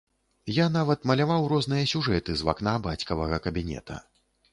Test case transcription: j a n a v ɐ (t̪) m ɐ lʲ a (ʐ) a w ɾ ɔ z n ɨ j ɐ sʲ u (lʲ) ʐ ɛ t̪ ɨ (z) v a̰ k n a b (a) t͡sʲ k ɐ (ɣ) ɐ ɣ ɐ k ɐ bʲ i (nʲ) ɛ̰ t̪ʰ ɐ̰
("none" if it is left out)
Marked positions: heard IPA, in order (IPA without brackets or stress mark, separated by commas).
t̪, v, none, z, a, v, nʲ